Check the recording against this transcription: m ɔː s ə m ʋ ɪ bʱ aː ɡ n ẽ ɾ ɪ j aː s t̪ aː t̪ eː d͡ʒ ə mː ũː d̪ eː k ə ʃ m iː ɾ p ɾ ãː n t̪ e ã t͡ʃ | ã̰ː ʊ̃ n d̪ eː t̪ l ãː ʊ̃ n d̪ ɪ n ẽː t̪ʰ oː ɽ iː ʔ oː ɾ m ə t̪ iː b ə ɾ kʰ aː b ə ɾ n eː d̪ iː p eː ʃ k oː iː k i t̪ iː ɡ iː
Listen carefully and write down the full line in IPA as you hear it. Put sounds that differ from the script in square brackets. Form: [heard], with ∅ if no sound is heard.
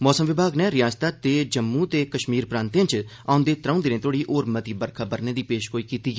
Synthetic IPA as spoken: m ɔː s ə m ʋ ɪ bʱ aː ɡ n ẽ ɾ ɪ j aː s t̪ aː t̪ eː d͡ʒ ə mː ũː [t̪] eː k ə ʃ m iː ɾ p ɾ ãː n t̪ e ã t͡ʃ | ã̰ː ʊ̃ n d̪ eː t̪ [ɾ] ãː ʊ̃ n d̪ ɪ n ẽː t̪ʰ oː ɽ iː ʔ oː ɾ m ə t̪ iː b ə ɾ kʰ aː b ə ɾ n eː d̪ iː p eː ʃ k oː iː k [iː] t̪ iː ɡ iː